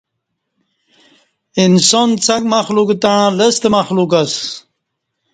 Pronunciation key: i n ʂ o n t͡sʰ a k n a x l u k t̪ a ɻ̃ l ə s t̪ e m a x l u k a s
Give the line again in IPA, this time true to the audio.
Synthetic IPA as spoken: i n s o n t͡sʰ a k m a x l u k t̪ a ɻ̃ l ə s t̪ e m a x l u k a s